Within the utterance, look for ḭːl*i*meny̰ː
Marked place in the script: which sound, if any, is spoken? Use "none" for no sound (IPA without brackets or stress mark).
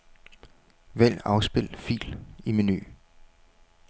i